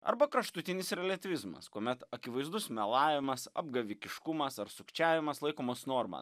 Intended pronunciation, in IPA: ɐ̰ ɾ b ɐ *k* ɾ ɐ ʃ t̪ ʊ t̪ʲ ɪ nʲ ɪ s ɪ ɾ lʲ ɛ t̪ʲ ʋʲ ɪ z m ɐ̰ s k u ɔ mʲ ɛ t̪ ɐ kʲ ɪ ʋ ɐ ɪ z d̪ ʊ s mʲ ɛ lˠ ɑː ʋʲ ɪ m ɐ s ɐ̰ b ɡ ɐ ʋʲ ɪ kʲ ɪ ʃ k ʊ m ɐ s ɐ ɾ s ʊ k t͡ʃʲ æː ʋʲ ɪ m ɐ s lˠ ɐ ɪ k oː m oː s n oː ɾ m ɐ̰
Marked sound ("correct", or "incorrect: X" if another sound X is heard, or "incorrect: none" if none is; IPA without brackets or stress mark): correct